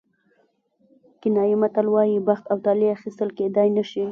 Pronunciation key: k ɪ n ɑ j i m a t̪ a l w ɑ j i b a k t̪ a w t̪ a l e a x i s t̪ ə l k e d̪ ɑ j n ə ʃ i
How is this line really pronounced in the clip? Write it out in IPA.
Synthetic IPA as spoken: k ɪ n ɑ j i m a t̪ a l w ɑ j i b a x t̪ a w t̪ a l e a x i s t̪ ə l k e d̪ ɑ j n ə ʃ i